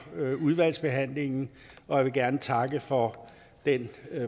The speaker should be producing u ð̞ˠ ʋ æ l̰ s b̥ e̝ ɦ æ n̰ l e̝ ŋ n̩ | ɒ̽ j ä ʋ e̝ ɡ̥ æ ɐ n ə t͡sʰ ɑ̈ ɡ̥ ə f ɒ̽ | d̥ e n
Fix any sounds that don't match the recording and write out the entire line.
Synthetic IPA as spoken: u ð̞ˠ ʋ æ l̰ s b̥ e̝ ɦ æ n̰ l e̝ ŋ n̩ | ɒ̽ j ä ʋ e̝ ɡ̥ æ ɐ n ə t͡sʰ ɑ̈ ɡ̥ ə f ɒ̽ | d̥ e n